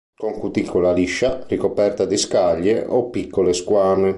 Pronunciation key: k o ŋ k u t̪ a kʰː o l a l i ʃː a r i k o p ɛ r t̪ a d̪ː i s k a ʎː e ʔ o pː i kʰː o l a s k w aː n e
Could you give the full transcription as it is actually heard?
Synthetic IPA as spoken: k o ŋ k u t̪ i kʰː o l a l i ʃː a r i k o p ɛ r t̪ a d̪ i s k a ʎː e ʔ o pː i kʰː o l e s k w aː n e

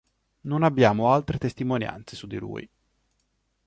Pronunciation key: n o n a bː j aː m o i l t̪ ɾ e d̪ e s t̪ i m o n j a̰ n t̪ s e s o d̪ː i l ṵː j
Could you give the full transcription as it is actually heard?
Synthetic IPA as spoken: n o n a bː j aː m o a l t̪ ɾ e t̪ e s t̪ i m o n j a̰ n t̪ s e s u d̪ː i l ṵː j

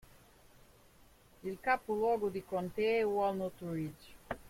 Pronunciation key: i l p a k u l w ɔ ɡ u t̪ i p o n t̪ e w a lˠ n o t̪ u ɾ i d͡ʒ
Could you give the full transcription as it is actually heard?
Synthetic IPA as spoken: i l k a p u l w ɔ ɡ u d̪ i k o n t̪ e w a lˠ n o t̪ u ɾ i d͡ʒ

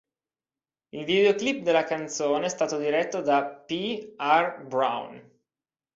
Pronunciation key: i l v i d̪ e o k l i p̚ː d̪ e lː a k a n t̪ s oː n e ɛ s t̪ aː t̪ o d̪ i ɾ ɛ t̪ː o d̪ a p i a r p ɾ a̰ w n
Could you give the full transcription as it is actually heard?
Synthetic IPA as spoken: i l v i d̪ e o k l i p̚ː d̪ e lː a k a n t̪ s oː n e ɛ s t̪ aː t̪ o d̪ i ɾ ɛ t̪ː o d̪ a p i a r b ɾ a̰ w n

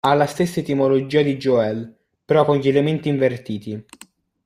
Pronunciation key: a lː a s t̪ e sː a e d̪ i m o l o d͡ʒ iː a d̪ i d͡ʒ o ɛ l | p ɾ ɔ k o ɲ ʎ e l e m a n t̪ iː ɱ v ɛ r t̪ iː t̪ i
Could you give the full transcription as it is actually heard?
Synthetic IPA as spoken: a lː a s t̪ e sː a e t̪ i m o l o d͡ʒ iː a d̪ i d͡ʒ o ɛ l | p ɾ ɔ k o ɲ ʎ e l e m e n t̪ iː ɱ v e r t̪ iː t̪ i

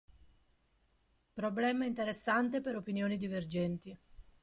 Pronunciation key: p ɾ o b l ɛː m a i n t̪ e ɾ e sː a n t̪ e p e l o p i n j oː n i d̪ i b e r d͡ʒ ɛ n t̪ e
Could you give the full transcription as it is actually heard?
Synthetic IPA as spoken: p ɾ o b l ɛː m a i n t̪ e ɾ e sː a n t̪ e p e ɾ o p i n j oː n i d̪ i v e r d͡ʒ ɛ n t̪ i

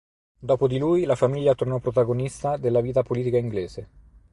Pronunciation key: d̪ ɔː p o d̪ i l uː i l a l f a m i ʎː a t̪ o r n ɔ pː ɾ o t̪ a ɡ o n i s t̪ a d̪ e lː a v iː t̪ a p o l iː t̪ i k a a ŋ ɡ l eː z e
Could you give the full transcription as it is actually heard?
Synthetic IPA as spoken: d̪ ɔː p o d̪ i l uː j l a f a m i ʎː a t̪ o r n ɔ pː ɾ o t̪ a ɡ o n i s t̪ a d̪ e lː a v iː t̪ a p o l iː t̪ i k a i ŋ ɡ l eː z e

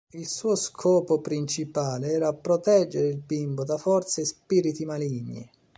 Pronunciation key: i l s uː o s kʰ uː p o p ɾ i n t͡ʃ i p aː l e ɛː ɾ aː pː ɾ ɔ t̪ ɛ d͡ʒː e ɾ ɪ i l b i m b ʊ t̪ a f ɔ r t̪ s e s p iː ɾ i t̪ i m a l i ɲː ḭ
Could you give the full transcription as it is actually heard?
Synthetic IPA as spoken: i l s uː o s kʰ ɔː p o p ɾ i n t͡ʃ i p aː l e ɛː ɾ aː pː ɾ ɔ t̪ ɛ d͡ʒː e ɾ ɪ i l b i m b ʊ d̪ a f ɔ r t̪ s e s p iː ɾ i t̪ i m a l i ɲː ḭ

